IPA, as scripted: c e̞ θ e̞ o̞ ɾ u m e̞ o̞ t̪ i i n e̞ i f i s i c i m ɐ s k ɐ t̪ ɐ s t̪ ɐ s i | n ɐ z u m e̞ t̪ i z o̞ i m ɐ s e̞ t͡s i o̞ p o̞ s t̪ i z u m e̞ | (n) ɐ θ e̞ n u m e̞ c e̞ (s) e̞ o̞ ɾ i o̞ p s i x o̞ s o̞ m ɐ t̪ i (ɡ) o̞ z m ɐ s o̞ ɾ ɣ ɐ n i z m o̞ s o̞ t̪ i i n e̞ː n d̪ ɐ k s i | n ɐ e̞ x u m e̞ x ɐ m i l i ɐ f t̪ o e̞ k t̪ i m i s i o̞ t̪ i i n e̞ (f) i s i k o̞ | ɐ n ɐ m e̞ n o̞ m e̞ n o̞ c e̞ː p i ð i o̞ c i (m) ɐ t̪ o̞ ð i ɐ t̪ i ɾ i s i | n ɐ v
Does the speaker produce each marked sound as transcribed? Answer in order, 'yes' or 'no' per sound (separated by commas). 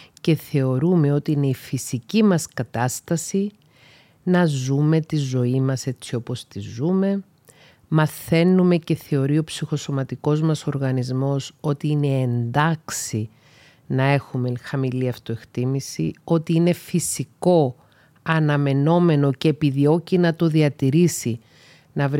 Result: no, no, no, yes, no